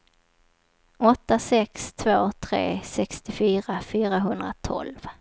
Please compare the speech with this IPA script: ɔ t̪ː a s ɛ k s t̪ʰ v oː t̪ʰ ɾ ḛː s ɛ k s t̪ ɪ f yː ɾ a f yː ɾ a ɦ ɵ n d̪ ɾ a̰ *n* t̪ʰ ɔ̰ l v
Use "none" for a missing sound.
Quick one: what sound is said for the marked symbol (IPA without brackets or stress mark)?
none